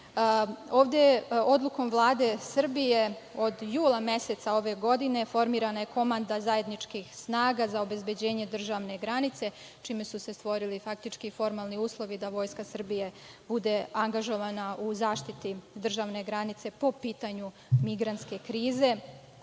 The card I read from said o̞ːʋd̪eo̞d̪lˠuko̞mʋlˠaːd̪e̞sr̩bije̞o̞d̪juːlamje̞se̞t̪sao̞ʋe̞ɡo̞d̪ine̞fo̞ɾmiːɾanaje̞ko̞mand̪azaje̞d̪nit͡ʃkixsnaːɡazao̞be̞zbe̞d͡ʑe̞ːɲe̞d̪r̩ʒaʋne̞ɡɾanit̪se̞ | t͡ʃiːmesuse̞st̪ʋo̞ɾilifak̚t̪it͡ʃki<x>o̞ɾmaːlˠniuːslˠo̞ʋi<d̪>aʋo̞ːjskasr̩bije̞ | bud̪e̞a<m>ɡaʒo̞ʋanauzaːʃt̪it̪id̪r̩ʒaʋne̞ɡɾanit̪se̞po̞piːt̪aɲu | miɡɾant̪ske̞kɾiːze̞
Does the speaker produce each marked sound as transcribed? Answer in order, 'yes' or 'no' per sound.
no, yes, no

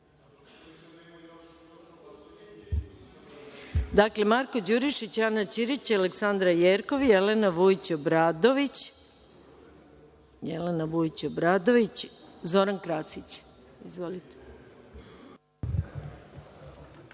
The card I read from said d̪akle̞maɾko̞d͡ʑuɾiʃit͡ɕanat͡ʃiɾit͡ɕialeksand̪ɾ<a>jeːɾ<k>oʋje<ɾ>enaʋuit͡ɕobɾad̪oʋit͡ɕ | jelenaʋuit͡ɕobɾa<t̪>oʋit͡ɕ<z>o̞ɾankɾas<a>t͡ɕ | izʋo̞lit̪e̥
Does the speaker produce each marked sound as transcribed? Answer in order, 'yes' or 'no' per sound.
yes, yes, no, no, yes, no

